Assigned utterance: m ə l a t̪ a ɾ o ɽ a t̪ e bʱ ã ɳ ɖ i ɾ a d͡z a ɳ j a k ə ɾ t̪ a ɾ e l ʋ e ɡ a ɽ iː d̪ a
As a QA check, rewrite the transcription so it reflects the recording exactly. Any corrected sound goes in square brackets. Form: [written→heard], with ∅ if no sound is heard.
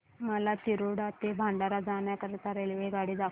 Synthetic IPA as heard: m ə l a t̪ [a→i] ɾ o ɽ a t̪ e bʱ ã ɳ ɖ [i→a] ɾ a d͡z a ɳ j a k ə ɾ t̪ a ɾ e l ʋ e ɡ a ɽ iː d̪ a